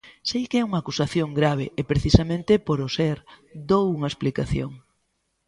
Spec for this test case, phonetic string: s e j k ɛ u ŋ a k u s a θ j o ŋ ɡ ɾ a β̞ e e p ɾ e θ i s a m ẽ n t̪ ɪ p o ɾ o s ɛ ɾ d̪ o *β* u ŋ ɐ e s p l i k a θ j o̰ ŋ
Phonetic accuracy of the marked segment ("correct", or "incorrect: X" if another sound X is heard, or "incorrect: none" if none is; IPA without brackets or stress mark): incorrect: w